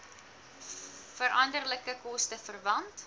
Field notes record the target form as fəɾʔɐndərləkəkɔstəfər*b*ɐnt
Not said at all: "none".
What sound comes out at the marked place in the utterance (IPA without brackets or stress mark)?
v